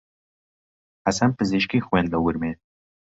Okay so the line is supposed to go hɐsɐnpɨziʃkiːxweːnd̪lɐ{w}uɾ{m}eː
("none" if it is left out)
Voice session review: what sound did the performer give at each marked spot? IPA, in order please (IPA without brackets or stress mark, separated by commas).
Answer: w, m